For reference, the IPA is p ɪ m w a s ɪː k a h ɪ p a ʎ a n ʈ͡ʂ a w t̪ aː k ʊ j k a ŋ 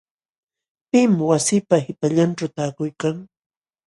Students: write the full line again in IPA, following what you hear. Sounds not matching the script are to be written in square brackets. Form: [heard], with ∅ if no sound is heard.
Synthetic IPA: p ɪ m w a s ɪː [p] a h ɪ p a ʎ a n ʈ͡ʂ a w t̪ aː k ʊ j k a ŋ